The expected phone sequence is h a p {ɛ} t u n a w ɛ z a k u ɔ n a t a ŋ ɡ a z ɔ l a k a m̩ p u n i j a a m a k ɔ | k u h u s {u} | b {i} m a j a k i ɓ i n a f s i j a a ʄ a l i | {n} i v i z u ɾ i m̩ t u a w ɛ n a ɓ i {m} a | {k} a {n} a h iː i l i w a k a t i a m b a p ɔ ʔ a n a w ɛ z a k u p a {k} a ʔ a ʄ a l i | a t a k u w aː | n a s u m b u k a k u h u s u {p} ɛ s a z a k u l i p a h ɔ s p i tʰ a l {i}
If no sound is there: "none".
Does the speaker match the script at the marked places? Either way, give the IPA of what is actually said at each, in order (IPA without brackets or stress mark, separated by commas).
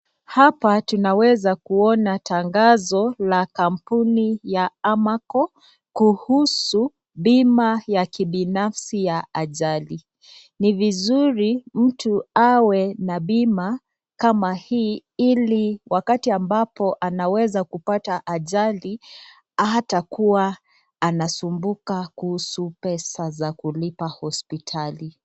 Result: a, u, i, n, m, k, m, t, p, i